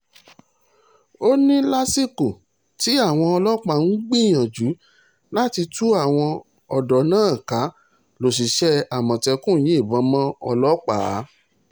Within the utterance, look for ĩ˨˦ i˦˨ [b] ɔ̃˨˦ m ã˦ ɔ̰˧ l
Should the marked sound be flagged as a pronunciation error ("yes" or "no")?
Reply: no